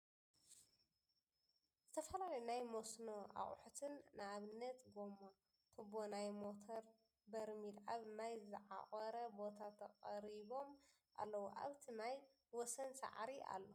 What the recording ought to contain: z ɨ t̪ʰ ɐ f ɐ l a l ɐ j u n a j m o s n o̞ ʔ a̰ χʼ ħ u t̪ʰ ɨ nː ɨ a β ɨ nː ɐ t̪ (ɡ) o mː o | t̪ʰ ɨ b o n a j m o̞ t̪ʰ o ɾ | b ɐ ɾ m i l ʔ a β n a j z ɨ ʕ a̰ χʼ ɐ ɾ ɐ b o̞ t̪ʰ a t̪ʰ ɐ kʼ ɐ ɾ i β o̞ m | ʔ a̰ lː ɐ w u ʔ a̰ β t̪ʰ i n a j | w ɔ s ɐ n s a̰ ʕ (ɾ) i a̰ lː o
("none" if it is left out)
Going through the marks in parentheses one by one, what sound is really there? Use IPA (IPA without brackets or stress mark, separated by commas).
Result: ɡ, ɾ